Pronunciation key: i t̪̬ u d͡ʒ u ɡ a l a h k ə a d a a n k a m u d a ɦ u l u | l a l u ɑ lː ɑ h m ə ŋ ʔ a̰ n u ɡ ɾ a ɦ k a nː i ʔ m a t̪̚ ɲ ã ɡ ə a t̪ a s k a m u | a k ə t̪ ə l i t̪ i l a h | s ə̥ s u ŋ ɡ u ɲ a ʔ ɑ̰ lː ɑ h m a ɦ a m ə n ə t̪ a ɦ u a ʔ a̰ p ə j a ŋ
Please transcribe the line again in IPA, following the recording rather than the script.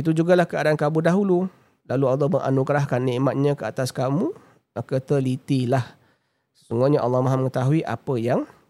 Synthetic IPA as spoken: i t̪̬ u d͡ʒ u ɡ a l a h k ə a d a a n k a m u d a ɦ u l u | l a l u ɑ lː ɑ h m ə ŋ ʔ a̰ n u ɡ ɾ a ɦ k a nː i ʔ m a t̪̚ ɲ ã k ə a t̪ a s k a m u | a k ə t̪ ə l i t̪ i l a h | s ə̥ s u ŋ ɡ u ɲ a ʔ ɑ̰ lː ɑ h m a ɦ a m ə ŋ ə t̪ a ɦ u i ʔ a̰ p ə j a ŋ